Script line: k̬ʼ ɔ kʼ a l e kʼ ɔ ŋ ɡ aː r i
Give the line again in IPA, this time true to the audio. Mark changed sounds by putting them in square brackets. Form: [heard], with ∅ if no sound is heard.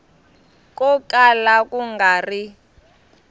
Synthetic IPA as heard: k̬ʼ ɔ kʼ a l [a] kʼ [u] ŋ ɡ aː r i